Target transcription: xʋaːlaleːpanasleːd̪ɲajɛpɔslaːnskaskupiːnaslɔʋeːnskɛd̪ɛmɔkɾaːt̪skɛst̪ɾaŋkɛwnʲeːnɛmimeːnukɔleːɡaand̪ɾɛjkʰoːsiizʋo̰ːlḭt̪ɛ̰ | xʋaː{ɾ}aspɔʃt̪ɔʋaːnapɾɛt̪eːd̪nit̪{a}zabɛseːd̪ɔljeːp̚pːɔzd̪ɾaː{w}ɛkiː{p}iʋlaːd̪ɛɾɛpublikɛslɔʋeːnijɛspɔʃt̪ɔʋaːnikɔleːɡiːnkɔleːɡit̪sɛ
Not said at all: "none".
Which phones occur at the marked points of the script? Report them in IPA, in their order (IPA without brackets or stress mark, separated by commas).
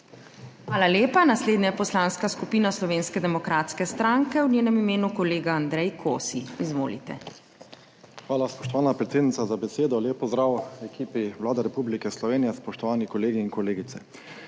l, a, w, p